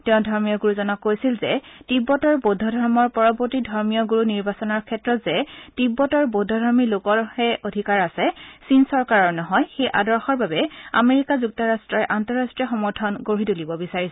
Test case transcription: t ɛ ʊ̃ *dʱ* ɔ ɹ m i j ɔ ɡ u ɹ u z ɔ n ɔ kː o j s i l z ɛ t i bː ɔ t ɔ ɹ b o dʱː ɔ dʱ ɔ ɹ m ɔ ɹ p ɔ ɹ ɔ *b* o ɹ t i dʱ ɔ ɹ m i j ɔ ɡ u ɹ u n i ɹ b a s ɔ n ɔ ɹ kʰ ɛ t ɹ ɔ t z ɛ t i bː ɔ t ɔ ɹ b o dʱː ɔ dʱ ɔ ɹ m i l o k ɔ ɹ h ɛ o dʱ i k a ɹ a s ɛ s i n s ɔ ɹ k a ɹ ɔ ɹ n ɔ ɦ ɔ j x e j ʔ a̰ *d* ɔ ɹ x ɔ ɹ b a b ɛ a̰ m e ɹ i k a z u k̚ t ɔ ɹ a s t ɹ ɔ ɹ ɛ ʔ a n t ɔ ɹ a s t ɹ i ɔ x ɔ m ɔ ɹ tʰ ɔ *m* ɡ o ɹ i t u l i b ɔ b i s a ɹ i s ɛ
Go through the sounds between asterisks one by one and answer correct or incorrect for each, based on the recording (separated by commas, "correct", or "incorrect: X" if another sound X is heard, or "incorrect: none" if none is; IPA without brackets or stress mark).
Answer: correct, correct, correct, incorrect: n